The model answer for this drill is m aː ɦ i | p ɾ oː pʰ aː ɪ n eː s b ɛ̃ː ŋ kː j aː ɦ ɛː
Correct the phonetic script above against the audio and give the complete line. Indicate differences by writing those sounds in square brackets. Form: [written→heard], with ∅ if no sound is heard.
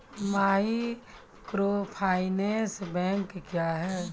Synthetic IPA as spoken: m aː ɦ i | [p→k] ɾ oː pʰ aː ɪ n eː s b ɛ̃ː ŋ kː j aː ɦ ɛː